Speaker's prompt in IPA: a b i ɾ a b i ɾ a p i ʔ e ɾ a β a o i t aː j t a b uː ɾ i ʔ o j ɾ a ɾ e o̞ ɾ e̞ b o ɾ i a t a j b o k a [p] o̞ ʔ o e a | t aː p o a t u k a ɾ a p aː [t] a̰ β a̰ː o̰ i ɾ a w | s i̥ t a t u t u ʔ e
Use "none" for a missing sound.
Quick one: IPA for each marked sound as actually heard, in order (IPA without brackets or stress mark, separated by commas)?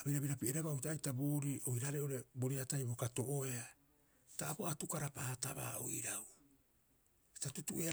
t, t